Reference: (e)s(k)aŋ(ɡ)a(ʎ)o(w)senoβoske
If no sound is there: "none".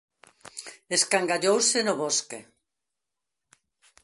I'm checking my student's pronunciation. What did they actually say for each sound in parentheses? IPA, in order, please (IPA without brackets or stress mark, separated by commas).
e, k, ɡ, ʎ, w